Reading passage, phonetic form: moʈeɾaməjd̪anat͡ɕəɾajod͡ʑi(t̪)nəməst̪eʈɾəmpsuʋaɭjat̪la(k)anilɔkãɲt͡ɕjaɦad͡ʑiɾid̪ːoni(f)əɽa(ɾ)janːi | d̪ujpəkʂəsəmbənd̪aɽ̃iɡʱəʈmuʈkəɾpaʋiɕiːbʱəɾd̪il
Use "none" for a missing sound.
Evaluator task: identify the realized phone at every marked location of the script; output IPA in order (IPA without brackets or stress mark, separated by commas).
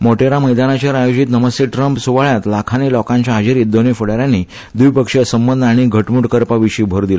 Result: t̪, kʰ, f, ɾ